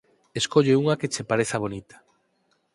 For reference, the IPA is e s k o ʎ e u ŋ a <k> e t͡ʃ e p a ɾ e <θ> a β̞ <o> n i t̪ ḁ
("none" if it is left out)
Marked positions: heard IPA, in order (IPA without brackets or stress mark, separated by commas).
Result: k, θ, o